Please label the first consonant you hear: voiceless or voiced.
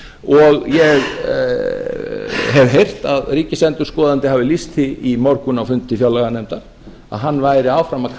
voiced